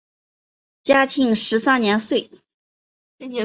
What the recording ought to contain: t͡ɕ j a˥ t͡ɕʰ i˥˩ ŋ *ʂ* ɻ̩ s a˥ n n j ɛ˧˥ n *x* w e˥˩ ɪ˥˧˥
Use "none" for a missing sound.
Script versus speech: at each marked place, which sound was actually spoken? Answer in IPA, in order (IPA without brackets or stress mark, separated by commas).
ʂ, s